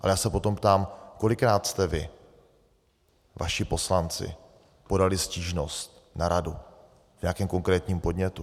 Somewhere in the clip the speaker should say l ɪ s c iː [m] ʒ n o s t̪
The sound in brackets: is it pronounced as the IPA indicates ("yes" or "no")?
no